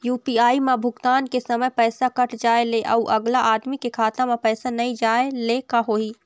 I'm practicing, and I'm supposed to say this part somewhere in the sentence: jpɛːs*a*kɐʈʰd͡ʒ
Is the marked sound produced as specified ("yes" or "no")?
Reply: yes